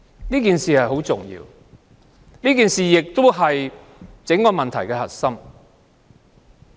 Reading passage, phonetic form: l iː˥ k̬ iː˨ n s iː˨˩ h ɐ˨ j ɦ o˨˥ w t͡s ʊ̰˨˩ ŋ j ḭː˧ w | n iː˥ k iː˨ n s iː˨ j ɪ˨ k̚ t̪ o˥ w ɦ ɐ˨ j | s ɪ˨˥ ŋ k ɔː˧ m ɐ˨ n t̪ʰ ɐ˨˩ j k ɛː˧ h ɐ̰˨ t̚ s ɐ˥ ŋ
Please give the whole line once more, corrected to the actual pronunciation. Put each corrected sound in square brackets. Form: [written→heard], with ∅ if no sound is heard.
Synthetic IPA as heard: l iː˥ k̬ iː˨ n s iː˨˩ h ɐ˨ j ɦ o˨˥ w t͡s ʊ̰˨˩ ŋ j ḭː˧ w | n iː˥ k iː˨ n s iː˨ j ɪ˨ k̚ t̪ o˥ w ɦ ɐ˨ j | [s→t͡s] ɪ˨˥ ŋ k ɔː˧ m ɐ˨ n t̪ʰ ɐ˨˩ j k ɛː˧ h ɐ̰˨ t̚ s ɐ˥ [ŋ→m]